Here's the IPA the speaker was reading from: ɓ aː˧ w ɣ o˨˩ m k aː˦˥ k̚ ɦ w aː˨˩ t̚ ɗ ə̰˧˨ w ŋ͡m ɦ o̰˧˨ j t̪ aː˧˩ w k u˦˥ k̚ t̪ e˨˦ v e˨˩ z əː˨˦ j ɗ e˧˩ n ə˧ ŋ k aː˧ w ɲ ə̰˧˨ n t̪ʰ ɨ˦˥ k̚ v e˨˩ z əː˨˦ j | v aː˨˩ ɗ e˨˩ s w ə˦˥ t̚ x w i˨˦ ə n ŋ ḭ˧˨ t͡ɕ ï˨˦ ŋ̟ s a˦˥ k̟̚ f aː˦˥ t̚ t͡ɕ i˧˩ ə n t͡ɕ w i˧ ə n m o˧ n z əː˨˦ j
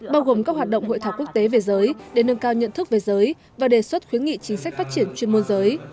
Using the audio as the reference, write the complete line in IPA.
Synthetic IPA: ɓ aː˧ w ɣ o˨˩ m k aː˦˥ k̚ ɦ w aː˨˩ t̚ ɗ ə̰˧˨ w ŋ͡m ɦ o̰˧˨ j t̪ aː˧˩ w k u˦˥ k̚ t̪ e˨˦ v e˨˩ z əː˨˦ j ɗ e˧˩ n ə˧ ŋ k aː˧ w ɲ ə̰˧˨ n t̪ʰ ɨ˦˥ k̚ v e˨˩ z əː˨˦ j | v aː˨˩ ɗ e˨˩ s w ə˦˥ t̚ x w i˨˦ ə n ŋ ḭ˧˨ t͡ɕ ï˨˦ ŋ̟ s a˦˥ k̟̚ f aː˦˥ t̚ t͡ɕ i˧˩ ə n t͡ɕ w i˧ ə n m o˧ n z əː˨˦ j